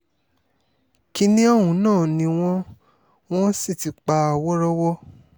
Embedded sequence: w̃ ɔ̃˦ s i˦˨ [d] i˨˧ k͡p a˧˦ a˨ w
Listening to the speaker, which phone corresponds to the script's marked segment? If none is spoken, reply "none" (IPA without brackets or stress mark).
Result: t